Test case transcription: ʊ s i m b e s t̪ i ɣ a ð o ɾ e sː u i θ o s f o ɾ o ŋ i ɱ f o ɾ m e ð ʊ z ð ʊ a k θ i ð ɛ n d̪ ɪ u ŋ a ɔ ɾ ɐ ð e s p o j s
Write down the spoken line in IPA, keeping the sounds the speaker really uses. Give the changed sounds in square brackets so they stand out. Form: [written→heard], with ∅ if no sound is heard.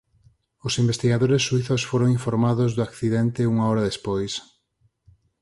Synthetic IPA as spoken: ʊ s i m b e s t̪ i ɣ a ð o ɾ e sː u i θ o s f o ɾ o ŋ i ɱ f o ɾ m [e→a] ð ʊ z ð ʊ a k θ i ð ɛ n [d̪→t̪] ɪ u ŋ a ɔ ɾ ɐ ð e s p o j s